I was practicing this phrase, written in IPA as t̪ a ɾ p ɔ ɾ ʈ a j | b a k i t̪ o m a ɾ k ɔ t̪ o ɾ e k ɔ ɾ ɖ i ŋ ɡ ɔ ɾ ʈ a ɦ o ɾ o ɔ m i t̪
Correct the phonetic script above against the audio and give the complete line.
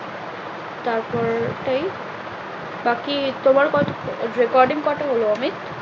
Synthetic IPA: t̪ a ɾ p ɔ ɾ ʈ a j | b a k i t̪ o m a ɾ k ɔ t̪ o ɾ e k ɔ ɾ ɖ i ŋ k ɔ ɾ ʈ a ɦ o l o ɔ m i t̪